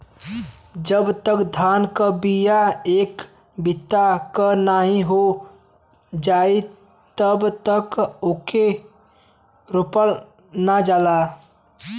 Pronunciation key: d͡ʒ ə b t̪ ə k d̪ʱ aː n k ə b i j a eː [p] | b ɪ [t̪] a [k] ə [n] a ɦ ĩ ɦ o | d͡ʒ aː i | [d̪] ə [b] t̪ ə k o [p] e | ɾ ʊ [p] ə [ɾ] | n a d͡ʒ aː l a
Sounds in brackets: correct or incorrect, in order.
incorrect: k, correct, correct, correct, incorrect: t̪, correct, incorrect: k, correct, incorrect: l

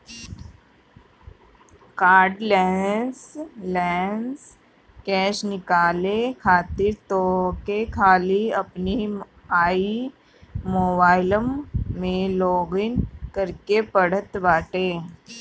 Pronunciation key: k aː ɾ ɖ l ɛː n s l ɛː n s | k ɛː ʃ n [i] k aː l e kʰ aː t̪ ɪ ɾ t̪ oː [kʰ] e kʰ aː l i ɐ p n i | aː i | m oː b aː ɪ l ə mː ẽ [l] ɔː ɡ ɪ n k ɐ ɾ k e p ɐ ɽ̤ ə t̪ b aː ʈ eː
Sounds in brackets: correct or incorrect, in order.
incorrect: ɪ, incorrect: k, correct

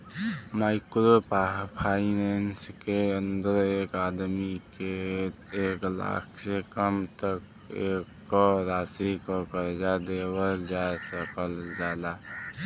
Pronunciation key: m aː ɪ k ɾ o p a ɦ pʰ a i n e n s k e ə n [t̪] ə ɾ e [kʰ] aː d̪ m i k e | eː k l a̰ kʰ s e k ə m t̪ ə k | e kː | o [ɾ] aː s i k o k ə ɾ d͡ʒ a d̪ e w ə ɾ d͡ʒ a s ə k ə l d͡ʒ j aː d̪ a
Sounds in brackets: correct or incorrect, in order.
incorrect: d̪, incorrect: k, correct

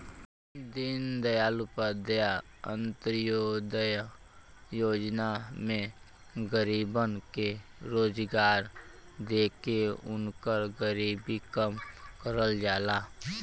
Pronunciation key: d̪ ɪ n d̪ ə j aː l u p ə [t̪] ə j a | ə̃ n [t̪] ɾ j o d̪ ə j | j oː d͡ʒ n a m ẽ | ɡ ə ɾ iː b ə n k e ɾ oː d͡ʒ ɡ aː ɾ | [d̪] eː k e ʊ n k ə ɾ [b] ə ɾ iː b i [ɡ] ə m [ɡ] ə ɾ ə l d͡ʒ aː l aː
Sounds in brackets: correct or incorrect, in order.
incorrect: d̪, correct, correct, incorrect: ɡ, incorrect: k, incorrect: k

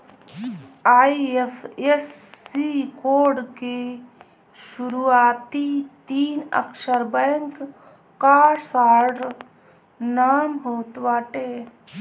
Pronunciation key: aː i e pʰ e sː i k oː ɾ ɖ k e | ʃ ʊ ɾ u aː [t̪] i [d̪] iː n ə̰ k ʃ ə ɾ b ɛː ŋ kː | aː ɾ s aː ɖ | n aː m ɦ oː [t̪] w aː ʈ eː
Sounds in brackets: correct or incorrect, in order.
correct, incorrect: t̪, correct

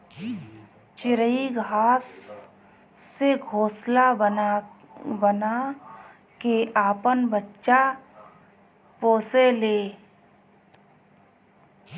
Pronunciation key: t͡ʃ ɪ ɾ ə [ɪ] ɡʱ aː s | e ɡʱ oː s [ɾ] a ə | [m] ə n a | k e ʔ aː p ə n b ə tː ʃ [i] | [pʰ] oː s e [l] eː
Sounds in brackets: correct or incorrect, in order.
incorrect: i, incorrect: l, incorrect: b, incorrect: a, incorrect: p, correct

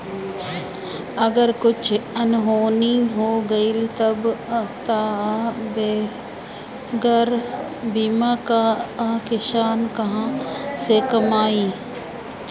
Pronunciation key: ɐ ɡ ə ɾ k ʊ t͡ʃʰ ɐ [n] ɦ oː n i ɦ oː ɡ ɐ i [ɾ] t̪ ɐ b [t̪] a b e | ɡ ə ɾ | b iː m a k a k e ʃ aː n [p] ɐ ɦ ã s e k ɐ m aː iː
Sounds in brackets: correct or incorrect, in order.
correct, incorrect: l, correct, incorrect: k

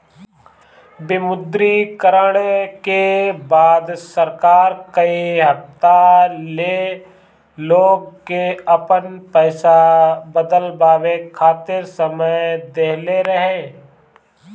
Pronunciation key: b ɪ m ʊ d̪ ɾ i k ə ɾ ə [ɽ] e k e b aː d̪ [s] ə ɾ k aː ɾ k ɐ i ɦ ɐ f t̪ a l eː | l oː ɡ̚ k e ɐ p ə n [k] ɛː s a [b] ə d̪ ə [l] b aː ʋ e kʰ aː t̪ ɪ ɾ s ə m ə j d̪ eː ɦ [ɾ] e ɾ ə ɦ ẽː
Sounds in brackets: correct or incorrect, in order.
correct, correct, incorrect: p, correct, correct, incorrect: l

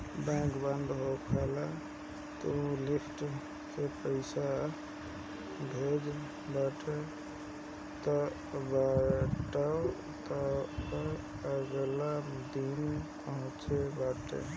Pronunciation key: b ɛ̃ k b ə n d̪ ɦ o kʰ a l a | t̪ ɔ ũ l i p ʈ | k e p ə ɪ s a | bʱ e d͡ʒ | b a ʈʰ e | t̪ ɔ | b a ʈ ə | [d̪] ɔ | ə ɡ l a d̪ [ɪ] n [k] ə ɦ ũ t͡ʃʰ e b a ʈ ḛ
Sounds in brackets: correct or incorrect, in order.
incorrect: t̪, incorrect: i, incorrect: p

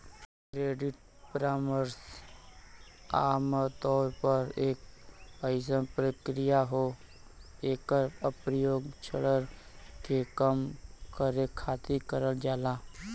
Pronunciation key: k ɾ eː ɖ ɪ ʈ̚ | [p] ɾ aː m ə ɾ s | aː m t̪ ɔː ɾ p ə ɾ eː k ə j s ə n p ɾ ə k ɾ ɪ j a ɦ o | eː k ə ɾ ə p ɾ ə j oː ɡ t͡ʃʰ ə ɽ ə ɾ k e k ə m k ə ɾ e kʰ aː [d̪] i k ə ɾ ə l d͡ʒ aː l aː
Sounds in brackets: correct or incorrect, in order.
correct, incorrect: t̪

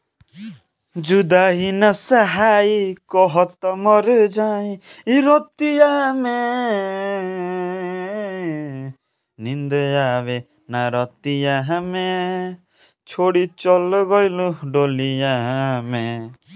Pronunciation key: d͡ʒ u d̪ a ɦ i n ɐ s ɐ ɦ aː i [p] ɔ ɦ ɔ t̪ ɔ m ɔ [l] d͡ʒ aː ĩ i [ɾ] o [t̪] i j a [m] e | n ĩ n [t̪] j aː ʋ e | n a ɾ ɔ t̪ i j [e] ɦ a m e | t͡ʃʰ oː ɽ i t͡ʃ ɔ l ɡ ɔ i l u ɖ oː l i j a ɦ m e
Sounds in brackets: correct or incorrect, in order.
incorrect: k, incorrect: ɾ, correct, correct, correct, incorrect: d̪, incorrect: a

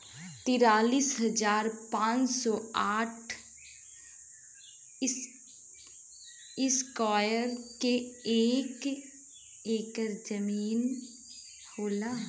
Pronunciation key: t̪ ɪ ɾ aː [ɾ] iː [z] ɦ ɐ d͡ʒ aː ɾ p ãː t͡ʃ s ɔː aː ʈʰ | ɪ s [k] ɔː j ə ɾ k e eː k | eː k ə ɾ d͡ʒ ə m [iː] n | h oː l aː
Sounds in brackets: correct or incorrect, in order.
incorrect: l, incorrect: s, correct, correct

